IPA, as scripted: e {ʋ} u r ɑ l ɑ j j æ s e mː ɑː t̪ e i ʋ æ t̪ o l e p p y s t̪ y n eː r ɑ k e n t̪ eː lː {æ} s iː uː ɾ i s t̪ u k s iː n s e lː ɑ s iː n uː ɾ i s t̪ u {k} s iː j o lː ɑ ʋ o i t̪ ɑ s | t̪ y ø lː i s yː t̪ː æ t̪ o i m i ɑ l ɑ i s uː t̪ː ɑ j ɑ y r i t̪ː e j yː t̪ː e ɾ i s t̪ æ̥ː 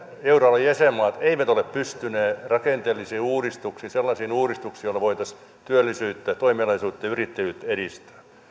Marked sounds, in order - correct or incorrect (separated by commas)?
incorrect, incorrect, correct